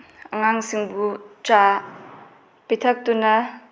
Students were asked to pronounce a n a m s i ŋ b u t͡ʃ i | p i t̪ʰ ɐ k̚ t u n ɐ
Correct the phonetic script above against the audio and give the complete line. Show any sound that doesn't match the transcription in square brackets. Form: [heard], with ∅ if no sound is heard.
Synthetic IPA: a [ŋ] a [ŋ] s i ŋ b u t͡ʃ [a] | p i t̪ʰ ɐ k̚ t u n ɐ